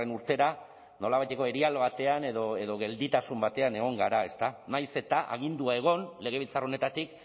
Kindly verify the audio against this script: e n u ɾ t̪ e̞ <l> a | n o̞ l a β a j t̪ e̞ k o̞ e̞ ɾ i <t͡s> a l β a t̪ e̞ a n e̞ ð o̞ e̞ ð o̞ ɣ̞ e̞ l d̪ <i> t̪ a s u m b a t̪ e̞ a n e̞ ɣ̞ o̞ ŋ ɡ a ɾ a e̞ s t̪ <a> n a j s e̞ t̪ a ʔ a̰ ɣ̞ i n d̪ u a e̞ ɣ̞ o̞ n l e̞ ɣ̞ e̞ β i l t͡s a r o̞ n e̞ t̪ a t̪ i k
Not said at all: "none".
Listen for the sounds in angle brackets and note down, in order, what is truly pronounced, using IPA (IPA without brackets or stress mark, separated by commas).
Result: ɾ, none, i, a